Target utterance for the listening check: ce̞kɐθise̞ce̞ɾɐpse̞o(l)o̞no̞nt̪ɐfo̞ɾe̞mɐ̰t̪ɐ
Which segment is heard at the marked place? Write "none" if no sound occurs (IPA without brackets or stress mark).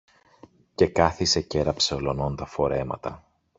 l